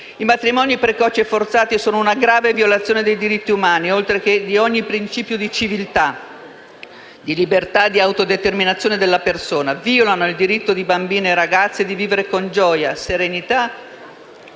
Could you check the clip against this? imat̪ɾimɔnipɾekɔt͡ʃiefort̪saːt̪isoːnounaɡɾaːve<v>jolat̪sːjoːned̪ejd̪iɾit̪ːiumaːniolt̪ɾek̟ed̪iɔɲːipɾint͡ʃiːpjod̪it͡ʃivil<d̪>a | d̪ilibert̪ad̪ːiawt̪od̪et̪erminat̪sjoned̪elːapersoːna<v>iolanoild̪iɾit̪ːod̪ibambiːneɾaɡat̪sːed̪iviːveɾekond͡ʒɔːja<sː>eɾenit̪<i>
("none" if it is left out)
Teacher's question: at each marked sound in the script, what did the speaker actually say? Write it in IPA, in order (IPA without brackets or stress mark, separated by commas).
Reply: v, t̪, v, s, a